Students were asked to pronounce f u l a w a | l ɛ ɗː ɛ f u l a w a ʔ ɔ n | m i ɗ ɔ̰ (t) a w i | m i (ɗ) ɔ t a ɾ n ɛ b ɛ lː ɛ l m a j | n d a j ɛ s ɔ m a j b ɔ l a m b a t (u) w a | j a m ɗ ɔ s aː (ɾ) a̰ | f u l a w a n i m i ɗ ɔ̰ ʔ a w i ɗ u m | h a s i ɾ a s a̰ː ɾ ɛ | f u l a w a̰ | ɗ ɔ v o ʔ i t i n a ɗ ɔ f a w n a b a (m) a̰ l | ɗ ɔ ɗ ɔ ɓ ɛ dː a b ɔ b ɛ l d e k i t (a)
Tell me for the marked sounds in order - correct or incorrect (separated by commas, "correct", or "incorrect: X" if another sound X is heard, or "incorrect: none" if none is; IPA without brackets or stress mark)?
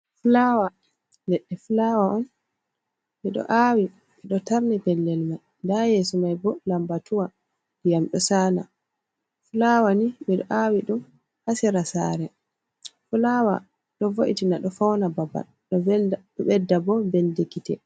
incorrect: ʔ, correct, correct, incorrect: l, incorrect: b, incorrect: ɛ